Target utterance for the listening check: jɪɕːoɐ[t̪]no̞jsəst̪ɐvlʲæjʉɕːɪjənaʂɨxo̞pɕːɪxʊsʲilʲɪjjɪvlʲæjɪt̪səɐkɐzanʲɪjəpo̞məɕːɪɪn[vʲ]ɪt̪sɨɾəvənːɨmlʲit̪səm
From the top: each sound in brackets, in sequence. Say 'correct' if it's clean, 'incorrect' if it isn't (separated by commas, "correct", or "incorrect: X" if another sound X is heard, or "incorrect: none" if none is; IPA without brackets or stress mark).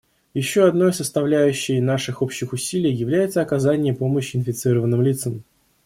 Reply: incorrect: d̪, incorrect: fʲ